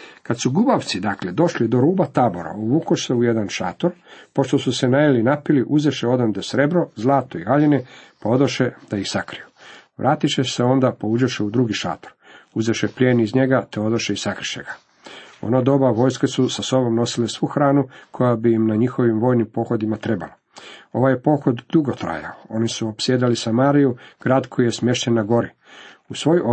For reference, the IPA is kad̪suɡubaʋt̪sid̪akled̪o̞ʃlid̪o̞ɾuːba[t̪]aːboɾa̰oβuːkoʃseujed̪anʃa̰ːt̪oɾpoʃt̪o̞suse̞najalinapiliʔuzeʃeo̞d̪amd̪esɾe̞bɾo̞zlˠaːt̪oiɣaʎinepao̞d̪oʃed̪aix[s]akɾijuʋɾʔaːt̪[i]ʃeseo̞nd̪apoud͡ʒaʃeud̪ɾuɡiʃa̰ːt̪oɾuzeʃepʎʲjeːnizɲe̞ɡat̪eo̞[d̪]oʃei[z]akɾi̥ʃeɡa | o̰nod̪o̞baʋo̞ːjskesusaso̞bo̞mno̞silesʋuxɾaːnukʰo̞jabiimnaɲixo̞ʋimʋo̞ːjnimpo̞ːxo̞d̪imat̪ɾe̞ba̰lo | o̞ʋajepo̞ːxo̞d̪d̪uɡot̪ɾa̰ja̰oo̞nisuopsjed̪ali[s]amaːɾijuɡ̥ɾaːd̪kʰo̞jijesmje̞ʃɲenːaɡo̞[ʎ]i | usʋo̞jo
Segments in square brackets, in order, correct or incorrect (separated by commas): correct, correct, correct, correct, incorrect, correct, incorrect